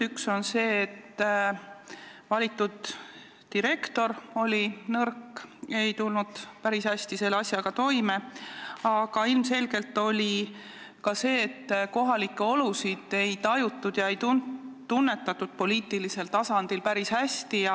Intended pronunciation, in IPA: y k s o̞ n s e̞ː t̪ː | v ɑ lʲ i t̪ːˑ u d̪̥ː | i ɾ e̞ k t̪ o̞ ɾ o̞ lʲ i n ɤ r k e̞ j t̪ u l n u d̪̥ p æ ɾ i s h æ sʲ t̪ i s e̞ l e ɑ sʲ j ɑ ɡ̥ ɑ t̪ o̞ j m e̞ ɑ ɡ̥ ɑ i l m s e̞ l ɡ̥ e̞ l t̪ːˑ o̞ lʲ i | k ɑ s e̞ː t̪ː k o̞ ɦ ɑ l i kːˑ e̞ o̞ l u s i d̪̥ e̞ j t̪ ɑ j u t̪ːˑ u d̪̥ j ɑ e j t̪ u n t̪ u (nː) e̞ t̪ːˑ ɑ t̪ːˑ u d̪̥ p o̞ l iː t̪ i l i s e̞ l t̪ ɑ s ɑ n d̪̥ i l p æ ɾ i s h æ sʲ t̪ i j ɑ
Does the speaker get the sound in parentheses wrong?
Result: no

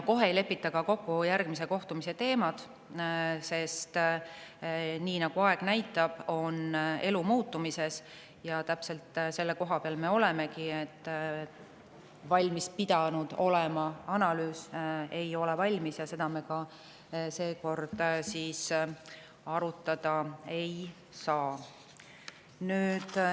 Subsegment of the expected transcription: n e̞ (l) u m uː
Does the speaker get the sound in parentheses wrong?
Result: no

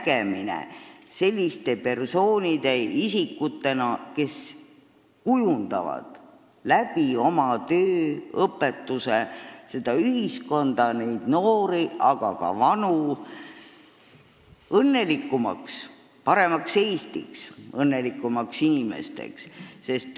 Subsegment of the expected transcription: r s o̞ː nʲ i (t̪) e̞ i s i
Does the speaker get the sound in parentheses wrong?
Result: yes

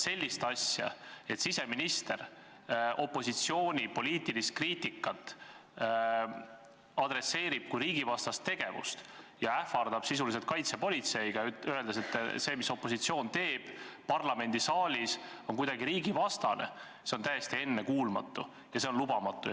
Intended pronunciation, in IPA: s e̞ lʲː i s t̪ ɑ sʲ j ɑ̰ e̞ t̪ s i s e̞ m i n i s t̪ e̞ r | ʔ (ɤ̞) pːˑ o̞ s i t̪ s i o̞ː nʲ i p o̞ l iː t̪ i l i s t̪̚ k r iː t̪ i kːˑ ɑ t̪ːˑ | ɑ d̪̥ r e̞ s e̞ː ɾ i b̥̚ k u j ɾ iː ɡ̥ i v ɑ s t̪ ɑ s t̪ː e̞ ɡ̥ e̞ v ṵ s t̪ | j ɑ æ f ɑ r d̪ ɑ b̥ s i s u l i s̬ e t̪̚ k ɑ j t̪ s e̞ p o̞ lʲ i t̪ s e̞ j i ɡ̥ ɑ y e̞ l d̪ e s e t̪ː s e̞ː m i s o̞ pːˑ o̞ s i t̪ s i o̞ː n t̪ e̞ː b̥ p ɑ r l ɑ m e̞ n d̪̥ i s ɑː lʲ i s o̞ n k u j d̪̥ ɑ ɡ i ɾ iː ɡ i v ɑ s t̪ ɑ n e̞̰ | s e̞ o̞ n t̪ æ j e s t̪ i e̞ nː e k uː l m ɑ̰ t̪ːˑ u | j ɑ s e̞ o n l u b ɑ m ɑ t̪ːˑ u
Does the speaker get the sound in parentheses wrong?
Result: yes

